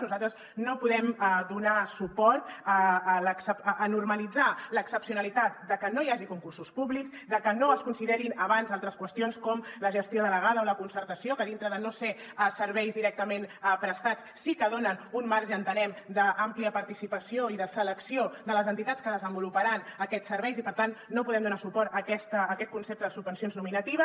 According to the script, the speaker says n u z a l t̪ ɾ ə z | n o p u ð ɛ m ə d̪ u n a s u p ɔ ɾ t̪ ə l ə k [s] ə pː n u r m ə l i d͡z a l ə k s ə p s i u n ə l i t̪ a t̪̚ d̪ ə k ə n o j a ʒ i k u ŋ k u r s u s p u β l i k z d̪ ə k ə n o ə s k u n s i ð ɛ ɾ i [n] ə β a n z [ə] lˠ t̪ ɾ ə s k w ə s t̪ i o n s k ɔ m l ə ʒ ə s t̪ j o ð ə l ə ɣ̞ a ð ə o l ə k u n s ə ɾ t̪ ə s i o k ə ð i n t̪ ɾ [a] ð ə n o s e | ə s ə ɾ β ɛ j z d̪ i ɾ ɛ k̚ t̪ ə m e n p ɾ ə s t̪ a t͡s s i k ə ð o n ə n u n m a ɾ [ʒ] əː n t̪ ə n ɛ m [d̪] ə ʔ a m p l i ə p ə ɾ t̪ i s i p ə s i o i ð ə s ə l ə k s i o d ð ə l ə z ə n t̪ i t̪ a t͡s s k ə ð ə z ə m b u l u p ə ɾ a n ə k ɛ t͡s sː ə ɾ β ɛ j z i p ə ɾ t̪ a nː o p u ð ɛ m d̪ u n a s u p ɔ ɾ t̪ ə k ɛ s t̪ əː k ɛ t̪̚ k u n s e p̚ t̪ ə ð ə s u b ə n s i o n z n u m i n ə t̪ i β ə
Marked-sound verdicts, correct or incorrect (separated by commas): correct, correct, incorrect, incorrect, correct, correct